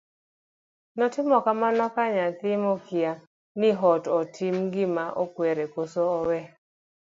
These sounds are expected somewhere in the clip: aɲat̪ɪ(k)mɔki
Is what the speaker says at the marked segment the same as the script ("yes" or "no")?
no